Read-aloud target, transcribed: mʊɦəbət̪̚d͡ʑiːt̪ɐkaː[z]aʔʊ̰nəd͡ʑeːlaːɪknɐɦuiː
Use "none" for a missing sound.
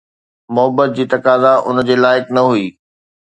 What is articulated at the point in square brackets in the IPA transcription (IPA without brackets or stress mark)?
z